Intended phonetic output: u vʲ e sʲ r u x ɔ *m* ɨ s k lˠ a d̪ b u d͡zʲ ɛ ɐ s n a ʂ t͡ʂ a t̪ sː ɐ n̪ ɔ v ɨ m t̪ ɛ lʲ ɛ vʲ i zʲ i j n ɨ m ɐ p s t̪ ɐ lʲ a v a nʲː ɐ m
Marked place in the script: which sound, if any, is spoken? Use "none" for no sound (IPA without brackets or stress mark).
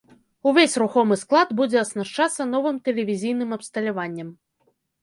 m